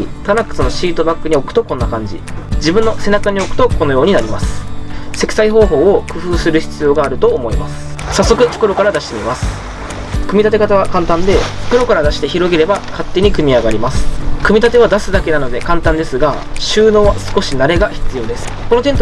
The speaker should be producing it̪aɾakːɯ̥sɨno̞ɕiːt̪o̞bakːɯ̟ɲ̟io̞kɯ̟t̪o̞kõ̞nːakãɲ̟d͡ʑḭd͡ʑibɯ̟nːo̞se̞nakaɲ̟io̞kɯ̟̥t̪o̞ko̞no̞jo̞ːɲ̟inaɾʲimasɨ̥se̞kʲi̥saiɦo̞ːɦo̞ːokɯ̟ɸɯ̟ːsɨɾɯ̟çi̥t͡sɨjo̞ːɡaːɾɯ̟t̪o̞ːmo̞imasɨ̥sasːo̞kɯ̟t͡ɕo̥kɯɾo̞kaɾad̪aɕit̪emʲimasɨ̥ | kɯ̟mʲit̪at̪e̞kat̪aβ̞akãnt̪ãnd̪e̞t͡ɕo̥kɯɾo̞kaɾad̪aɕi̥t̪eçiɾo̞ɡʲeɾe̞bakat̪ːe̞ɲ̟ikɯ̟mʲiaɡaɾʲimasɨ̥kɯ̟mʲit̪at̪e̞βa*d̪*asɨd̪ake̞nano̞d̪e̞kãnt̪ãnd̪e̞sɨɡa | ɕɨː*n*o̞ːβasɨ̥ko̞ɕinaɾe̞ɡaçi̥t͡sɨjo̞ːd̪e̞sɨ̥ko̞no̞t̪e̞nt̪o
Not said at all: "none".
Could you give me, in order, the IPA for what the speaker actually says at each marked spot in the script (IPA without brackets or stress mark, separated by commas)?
d̪, n